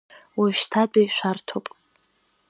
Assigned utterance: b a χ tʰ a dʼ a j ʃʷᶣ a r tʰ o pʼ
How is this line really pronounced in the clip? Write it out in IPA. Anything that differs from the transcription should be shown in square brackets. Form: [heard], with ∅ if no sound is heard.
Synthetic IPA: [w] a [ʃ] tʰ a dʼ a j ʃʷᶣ a r tʰ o pʼ